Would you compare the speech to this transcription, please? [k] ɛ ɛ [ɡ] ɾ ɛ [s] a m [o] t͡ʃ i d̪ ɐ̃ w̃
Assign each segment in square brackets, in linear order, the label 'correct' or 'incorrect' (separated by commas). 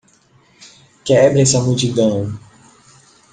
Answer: correct, incorrect, correct, incorrect